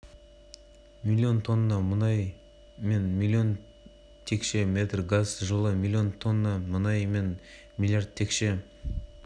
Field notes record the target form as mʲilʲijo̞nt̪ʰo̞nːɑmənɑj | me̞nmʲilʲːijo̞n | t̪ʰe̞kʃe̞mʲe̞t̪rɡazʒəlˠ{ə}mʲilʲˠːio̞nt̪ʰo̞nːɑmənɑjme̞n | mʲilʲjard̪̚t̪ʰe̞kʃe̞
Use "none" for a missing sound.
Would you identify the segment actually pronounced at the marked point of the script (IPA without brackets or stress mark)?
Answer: ə